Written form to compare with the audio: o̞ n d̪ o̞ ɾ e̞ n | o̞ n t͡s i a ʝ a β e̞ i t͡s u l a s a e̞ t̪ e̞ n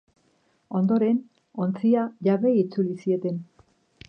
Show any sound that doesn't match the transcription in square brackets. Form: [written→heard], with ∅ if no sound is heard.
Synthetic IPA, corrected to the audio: o̞ n d̪ o̞ ɾ e̞ n | o̞ n t͡s i a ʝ a β e̞ i t͡s u l [a→i] s [a→i] e̞ t̪ e̞ n